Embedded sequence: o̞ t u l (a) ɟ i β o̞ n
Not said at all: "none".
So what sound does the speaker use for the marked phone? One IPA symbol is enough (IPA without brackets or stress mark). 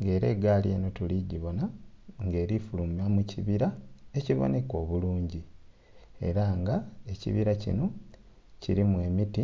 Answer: i